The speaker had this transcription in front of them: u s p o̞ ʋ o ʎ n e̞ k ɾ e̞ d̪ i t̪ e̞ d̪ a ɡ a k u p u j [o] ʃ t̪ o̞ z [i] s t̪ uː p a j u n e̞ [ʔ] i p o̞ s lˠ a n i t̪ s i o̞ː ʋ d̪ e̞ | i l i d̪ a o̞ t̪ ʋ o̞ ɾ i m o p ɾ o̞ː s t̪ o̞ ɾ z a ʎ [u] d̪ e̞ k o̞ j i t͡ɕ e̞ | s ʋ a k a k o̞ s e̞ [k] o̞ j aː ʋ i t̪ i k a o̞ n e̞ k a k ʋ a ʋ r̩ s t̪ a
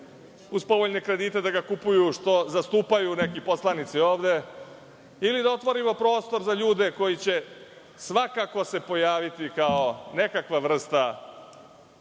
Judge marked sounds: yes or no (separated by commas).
no, no, no, no, no